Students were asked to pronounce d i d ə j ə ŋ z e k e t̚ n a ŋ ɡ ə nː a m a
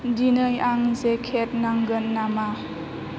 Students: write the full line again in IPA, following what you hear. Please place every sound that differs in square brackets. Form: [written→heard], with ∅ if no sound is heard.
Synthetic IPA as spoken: d i [d→n] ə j [ə→a] ŋ z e [k→kʰ] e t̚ n a ŋ ɡ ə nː a m a